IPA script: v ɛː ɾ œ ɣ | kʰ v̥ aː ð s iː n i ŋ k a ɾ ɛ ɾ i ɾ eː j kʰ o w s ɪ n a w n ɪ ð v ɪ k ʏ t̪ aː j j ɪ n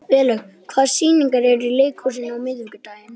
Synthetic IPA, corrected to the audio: v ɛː l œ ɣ | kʰ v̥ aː ð s iː n i ŋ k a ɾ ɛ ɾ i l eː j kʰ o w s ɪ n a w m ɪ ð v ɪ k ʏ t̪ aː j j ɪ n